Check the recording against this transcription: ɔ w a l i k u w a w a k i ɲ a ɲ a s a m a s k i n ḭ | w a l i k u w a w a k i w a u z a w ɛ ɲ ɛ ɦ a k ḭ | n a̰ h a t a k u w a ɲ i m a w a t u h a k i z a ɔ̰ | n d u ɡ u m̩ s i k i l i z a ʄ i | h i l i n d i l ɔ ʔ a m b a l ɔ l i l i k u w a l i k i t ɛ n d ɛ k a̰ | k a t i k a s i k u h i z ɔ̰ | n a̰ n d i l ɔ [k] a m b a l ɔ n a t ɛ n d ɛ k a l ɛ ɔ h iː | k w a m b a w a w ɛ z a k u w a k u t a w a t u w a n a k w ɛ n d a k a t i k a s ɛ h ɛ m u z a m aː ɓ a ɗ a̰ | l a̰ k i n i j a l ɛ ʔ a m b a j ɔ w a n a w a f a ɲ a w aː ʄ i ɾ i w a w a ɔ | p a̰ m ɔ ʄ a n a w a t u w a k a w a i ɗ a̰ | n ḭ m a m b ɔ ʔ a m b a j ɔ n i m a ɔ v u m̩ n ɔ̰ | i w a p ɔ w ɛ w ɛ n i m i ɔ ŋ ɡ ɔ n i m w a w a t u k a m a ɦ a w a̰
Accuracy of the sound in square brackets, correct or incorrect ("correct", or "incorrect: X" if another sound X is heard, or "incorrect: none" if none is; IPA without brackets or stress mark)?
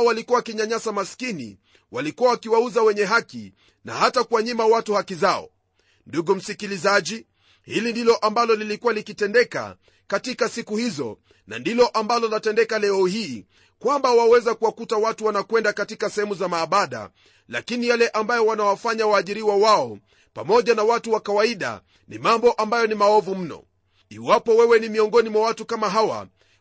incorrect: ʔ